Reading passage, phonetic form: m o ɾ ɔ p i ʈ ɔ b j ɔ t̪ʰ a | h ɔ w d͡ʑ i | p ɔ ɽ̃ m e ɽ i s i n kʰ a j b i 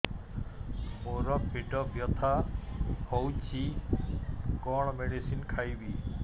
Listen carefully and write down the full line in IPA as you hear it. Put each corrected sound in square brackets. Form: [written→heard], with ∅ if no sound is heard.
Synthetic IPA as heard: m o ɾ ɔ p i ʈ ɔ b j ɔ t̪ʰ a | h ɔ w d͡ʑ i | [p→k] ɔ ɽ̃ m e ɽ i s i n kʰ a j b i

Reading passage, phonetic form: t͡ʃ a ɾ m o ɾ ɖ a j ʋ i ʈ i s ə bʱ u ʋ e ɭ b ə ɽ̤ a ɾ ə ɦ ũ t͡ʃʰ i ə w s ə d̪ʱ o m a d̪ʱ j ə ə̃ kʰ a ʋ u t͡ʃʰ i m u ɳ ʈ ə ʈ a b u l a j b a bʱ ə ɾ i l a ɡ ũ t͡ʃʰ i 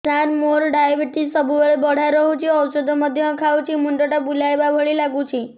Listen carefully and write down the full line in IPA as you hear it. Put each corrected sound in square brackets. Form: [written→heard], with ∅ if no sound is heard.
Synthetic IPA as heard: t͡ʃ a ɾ m o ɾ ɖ a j ʋ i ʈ i s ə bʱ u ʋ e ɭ b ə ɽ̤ a ɾ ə ɦ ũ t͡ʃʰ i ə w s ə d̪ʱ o m [a→ə] d̪ʱ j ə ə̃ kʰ a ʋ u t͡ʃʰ i m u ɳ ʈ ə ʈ a b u l a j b a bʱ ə [ɾ→ɭ] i l a ɡ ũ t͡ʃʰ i

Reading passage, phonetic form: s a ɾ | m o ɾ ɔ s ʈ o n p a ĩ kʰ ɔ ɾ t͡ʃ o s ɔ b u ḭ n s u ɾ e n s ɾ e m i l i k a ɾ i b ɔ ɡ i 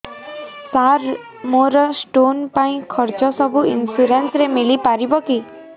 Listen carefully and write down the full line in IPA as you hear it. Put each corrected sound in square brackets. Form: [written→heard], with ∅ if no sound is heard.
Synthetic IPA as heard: s a ɾ | m o ɾ ɔ s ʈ o n p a ĩ kʰ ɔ ɾ t͡ʃ [o→ɔ] s ɔ b u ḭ n s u ɾ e n s ɾ e m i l i [k→p] a ɾ i b ɔ [ɡ→k] i

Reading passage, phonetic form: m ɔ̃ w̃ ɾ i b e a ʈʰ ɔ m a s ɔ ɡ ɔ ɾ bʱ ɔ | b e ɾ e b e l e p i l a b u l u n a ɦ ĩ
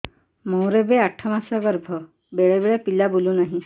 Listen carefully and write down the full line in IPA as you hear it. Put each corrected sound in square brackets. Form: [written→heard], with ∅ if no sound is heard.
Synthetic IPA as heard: m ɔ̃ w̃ ɾ [i→e] b e a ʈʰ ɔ m a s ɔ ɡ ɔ ɾ bʱ ɔ | b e [ɾ→ɭ] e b e [l→ɭ] e p i l a b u l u n a ɦ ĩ

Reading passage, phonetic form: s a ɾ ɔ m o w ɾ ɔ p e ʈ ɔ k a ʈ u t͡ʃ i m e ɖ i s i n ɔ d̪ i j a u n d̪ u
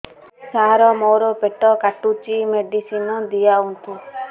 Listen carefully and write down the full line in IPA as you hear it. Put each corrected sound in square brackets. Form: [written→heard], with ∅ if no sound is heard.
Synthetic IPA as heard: s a ɾ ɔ m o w ɾ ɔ p e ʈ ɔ k a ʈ u t͡ʃ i m e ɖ i s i n ɔ d̪ i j a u n [d̪→t̪] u

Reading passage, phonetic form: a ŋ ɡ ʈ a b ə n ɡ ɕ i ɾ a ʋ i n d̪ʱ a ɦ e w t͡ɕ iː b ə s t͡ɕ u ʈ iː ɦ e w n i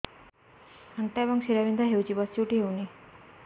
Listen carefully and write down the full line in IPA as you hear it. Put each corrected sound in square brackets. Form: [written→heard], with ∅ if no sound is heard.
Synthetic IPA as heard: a ŋ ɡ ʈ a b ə [n→ŋ] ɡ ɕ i ɾ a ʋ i n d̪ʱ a ɦ e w t͡ɕ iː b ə s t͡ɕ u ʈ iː ɦ e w n i

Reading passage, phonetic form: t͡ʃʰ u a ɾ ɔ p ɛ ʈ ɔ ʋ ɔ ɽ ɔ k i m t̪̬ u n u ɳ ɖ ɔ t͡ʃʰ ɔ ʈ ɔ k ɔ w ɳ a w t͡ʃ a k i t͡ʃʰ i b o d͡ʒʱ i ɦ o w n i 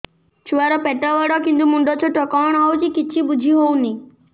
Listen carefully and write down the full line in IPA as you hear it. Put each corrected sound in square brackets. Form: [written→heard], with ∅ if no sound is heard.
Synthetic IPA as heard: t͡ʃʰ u a ɾ ɔ p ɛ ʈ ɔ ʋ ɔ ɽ ɔ k i [m→n] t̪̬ u [n→m] u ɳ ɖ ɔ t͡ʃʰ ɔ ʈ ɔ k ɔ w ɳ a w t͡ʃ [a→i] k i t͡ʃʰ i b [o→u] d͡ʒʱ i ɦ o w n i

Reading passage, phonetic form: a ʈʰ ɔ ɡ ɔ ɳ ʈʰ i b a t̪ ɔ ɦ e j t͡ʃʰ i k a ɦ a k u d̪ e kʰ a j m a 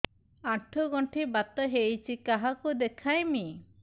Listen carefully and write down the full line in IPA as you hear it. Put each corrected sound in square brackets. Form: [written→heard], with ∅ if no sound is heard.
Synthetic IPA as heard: a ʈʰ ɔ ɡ ɔ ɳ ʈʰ i b a t̪ ɔ ɦ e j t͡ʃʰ i k a ɦ a k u d̪ e kʰ a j m [a→i]

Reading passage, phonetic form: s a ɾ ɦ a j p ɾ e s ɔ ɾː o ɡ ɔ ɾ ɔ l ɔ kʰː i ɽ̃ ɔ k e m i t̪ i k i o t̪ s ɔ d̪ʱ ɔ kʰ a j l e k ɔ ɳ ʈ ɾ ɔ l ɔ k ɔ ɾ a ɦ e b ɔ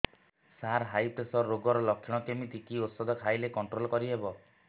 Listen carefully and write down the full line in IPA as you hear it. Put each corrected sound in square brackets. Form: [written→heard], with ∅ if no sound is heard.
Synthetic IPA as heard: s a ɾ ɦ a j p ɾ e s ɔ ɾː o ɡ ɔ ɾ ɔ l ɔ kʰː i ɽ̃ ɔ k e m i t̪ i k i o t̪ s ɔ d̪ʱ ɔ kʰ a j l e k ɔ ɳ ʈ ɾ [ɔ→o] l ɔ k ɔ ɾ [a→i] ɦ e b ɔ

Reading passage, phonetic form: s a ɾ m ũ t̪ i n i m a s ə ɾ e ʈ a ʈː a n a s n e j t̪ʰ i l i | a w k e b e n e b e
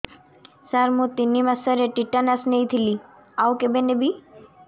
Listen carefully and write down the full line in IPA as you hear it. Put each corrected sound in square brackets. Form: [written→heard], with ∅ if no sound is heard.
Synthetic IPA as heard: s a ɾ m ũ t̪ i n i m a s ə ɾ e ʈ [a→i] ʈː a n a s n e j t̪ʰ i l i | a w k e b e n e b [e→i]

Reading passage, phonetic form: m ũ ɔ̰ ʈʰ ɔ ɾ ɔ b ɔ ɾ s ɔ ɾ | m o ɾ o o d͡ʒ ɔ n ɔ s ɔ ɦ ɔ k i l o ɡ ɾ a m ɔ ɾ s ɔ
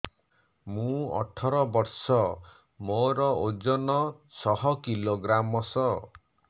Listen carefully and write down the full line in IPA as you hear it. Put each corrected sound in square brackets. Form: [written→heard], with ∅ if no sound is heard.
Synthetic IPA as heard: m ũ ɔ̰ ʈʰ ɔ ɾ ɔ b ɔ ɾ s ɔ [ɾ→∅] | m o ɾ [o→ɔ] o d͡ʒ ɔ n ɔ s ɔ ɦ ɔ k i l o ɡ ɾ a m ɔ [ɾ→∅] s ɔ

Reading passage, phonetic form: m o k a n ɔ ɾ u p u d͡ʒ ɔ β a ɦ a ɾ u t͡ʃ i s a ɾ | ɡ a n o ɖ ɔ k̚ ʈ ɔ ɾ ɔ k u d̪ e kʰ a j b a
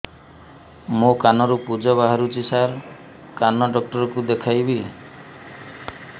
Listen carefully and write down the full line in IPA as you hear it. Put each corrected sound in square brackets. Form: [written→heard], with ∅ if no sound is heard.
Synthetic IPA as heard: m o k a n ɔ ɾ u p u d͡ʒ ɔ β a ɦ a ɾ u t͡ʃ i s a ɾ | [ɡ→k] a n [o→ɔ] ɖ ɔ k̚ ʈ ɔ ɾ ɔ k u d̪ e kʰ a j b [a→i]

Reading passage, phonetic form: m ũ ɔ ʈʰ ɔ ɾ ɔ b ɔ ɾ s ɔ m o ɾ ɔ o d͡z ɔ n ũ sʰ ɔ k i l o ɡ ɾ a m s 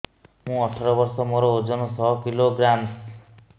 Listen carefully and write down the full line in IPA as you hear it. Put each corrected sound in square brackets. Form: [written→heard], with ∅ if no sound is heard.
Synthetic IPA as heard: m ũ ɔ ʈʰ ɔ ɾ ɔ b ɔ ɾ s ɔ m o ɾ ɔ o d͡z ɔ n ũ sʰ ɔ k i l o ɡ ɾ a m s

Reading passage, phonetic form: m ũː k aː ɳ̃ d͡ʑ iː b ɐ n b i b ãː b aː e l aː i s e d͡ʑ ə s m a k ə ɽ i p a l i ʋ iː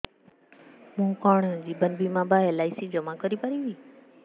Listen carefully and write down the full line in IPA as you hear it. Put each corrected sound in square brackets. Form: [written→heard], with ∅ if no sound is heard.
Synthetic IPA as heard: m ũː k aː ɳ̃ d͡ʑ iː b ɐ n b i [b→m] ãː b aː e l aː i s [e→i] d͡ʑ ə [s→∅] m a k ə [ɽ→ɾ] i p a [l→ɾ] i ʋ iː

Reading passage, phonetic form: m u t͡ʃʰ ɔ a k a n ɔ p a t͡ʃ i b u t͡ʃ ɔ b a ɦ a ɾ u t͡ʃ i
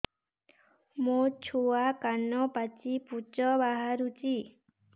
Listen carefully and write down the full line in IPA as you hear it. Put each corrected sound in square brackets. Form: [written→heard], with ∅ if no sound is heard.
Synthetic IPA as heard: m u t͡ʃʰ [ɔ→u] a k a n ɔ p a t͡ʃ i [b→p] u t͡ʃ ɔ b a ɦ a ɾ u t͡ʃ i

